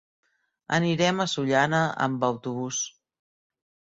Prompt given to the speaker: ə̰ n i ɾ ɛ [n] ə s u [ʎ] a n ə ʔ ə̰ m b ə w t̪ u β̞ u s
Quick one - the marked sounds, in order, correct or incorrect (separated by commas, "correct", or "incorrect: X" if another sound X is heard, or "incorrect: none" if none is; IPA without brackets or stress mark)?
incorrect: m, correct